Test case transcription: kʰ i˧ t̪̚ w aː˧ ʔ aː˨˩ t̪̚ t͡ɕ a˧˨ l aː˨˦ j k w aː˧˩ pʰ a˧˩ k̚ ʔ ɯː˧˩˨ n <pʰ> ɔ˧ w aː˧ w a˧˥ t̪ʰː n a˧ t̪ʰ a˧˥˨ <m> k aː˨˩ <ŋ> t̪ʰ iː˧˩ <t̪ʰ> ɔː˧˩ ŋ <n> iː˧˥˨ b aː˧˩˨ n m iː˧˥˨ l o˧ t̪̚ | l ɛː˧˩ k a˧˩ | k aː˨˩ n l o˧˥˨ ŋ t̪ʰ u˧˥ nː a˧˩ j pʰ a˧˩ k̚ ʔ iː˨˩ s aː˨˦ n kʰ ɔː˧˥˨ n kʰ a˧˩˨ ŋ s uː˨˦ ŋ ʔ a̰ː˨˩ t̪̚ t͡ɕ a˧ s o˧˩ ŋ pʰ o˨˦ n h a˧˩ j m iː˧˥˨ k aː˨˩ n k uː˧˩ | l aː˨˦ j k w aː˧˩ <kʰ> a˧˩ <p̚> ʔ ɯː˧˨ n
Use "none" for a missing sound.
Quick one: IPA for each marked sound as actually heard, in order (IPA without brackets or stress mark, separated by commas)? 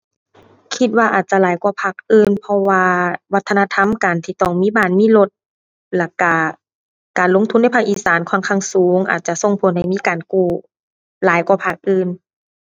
pʰ, m, n, t̪, m, pʰ, k̚